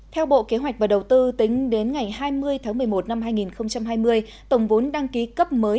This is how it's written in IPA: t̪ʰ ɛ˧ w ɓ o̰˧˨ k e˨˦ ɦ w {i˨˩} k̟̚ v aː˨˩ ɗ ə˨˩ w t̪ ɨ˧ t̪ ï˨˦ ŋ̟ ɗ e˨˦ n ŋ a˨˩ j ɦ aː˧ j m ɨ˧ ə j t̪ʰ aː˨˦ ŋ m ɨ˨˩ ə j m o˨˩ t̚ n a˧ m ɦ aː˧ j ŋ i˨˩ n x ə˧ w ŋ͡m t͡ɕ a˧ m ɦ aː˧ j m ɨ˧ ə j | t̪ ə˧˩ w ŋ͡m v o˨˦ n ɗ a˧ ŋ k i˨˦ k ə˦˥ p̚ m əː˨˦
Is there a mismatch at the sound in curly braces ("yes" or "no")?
yes